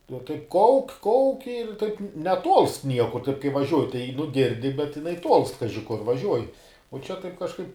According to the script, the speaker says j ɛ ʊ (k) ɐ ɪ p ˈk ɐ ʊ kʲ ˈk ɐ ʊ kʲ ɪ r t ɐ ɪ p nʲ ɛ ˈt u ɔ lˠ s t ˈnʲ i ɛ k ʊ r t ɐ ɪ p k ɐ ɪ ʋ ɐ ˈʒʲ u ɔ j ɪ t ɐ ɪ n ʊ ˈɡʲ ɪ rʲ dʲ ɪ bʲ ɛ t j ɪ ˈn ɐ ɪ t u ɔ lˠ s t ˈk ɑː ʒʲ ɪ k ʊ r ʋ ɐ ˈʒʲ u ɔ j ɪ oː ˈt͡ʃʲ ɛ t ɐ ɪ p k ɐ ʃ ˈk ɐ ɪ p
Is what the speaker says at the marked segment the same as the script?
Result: no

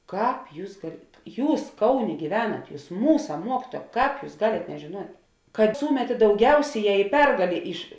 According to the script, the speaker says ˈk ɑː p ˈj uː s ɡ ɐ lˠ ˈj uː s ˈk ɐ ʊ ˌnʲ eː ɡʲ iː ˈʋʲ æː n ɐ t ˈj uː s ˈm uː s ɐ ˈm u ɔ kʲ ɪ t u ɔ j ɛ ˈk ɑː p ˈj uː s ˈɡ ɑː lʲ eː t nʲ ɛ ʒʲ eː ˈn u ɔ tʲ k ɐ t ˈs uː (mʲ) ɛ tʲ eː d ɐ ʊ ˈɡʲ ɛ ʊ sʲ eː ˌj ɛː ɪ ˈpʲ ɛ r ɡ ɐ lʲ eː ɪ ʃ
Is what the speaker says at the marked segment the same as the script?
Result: yes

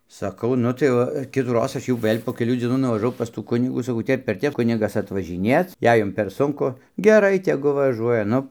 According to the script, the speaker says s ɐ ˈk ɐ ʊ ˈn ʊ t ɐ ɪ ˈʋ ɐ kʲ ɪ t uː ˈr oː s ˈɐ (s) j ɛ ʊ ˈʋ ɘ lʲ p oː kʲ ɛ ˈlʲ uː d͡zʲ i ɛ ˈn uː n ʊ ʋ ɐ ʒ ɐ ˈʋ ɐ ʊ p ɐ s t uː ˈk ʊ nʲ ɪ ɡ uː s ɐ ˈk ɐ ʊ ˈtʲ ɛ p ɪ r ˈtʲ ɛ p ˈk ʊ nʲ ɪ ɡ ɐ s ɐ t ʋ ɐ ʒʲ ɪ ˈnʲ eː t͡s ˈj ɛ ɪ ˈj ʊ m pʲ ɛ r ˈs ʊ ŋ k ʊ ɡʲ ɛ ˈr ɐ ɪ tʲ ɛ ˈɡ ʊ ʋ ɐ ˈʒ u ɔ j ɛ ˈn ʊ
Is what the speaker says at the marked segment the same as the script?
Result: no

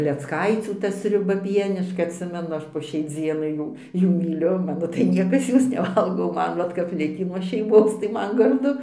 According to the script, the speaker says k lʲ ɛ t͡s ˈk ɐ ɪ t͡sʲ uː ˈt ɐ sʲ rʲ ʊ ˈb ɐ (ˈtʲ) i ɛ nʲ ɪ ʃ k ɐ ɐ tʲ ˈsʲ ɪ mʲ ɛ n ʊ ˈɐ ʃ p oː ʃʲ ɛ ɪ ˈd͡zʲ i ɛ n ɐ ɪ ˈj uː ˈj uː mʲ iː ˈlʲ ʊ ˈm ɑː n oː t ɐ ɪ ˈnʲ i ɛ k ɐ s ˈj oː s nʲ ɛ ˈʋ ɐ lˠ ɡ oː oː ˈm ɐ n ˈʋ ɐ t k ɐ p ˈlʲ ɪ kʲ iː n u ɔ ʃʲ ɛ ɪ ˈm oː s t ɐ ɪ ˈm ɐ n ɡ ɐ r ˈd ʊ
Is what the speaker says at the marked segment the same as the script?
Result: no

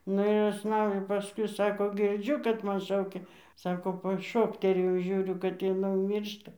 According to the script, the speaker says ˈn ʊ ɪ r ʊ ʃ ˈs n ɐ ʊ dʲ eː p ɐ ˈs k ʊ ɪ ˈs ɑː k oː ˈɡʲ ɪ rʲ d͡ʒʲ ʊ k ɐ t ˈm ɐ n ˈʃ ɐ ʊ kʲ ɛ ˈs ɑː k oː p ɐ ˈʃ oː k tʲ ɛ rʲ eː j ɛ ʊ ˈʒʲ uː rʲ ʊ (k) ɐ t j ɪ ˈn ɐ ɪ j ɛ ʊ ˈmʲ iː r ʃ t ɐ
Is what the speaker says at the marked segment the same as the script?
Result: yes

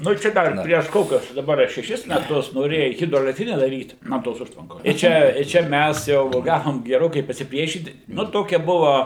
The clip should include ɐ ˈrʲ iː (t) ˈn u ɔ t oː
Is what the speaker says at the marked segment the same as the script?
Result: yes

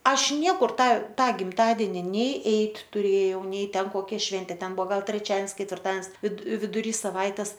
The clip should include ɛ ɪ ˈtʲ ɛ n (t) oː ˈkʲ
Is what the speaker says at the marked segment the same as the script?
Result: no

